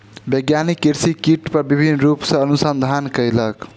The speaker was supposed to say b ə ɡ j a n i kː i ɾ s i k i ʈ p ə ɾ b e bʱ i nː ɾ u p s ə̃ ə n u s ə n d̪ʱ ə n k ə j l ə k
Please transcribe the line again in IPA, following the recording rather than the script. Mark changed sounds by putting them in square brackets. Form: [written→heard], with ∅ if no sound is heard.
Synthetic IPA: b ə ɡ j a n i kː i ɾ s i k i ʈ p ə ɾ b [e→i] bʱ i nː ɾ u p s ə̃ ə n u s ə n d̪ʱ [ə→a] n k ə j l ə k